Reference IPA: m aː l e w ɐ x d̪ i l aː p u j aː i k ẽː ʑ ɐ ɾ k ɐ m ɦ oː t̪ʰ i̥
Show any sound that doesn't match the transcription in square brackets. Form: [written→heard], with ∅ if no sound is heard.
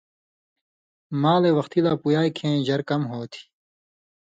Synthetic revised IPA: m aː l e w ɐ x [d̪→t̪] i l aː p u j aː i [k→kʰ] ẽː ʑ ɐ ɾ k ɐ m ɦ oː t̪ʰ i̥